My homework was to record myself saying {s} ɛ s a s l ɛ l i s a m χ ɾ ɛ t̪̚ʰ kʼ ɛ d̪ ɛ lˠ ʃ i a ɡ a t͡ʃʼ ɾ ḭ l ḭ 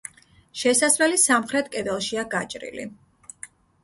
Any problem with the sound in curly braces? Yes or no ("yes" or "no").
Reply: yes